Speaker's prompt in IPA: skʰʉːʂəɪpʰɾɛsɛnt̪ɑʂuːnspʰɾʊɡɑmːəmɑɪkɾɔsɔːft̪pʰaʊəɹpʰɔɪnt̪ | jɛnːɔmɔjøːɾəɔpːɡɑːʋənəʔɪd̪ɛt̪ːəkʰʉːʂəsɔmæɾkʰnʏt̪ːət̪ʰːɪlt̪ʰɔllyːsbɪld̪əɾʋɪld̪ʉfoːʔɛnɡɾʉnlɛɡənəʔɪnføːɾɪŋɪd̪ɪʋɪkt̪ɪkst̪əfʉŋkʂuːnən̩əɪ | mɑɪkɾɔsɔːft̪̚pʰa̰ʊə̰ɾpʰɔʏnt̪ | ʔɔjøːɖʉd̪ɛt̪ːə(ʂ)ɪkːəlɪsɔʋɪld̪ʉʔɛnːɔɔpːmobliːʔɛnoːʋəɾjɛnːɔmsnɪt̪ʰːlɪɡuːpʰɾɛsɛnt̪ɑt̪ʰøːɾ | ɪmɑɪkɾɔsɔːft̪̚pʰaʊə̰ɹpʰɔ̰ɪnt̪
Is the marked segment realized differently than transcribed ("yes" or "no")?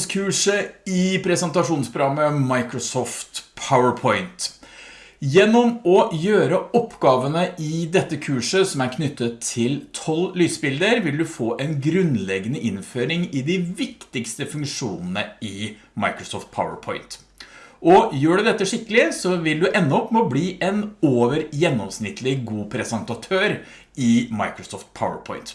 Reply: no